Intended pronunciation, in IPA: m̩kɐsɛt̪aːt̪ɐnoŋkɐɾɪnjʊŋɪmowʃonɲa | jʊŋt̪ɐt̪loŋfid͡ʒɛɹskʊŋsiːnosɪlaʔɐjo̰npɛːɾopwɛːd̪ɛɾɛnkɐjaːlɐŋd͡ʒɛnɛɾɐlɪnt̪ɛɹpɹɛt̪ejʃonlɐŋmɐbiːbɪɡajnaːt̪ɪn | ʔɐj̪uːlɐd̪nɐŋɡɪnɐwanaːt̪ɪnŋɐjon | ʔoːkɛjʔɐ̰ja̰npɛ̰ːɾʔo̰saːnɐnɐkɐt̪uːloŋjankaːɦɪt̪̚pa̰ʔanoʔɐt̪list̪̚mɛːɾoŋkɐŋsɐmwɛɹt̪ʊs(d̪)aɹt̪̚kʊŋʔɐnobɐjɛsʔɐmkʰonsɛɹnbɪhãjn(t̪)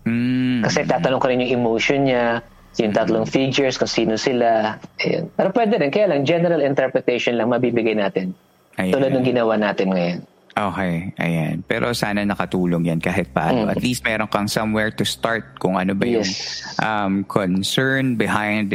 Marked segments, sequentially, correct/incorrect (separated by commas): incorrect, incorrect